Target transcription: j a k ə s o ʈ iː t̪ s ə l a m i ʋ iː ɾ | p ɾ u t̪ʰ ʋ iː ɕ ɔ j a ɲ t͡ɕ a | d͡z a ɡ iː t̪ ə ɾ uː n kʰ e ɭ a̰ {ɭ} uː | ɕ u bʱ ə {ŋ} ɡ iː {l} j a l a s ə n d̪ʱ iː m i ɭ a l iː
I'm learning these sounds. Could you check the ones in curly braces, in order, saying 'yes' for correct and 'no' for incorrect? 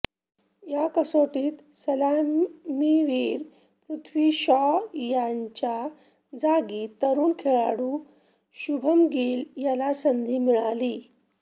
no, no, yes

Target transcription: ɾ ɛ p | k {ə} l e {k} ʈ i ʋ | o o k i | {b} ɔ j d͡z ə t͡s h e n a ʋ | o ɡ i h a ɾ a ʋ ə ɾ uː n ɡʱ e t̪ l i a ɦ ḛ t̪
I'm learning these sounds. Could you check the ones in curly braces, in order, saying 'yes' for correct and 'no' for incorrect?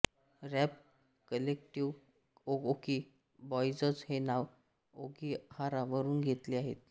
yes, yes, yes

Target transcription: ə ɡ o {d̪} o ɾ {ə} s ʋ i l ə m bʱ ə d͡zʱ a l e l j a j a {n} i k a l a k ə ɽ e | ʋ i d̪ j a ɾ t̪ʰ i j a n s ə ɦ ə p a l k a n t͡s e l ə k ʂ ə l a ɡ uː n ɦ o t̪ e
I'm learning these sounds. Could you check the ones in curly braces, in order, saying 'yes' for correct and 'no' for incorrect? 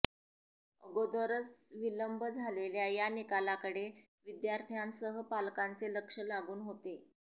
yes, yes, yes

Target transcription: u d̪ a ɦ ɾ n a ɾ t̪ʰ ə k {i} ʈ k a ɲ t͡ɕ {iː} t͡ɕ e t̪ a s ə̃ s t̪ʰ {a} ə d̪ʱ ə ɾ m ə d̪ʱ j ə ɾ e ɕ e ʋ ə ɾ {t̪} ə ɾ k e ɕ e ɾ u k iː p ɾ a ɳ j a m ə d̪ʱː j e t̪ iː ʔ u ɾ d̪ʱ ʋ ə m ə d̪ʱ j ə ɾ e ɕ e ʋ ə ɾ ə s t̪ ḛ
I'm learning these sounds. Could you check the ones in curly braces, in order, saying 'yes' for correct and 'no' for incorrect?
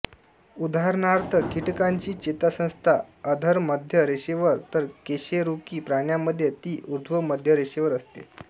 yes, yes, yes, yes

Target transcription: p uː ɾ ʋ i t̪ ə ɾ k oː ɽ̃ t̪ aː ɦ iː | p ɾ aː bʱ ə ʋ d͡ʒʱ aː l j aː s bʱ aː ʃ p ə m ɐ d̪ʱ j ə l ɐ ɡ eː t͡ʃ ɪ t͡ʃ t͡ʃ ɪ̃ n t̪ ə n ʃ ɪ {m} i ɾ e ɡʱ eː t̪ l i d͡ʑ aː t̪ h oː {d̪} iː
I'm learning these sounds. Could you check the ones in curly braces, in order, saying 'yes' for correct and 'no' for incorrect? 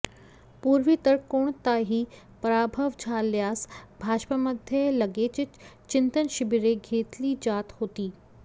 no, no

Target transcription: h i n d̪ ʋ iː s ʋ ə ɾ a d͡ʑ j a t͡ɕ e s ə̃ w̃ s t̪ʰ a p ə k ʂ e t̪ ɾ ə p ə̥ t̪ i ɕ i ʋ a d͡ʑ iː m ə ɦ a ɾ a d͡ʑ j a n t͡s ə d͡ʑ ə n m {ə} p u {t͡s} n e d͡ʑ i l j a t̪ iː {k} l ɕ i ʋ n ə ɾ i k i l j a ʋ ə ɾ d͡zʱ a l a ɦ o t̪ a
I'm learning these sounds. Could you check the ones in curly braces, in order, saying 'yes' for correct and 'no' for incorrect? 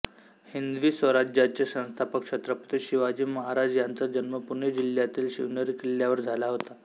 yes, no, no

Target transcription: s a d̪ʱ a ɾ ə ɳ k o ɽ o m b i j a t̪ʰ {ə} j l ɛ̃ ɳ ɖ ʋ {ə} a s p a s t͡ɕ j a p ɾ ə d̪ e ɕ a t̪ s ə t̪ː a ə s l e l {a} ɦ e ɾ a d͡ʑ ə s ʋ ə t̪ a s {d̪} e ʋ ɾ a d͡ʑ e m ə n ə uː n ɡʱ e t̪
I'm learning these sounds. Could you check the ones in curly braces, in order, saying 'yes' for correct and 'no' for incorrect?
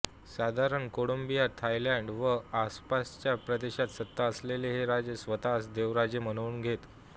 no, yes, no, yes

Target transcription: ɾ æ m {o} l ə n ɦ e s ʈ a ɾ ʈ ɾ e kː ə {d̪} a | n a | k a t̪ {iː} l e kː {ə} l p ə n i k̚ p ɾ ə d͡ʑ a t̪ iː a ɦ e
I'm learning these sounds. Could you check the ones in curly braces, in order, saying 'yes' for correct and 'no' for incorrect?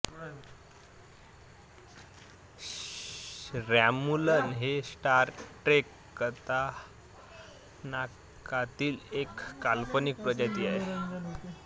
no, no, yes, no

